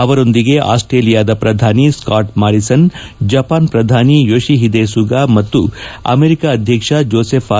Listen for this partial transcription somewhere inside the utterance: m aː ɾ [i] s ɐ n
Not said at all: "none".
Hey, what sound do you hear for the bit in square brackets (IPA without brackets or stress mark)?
i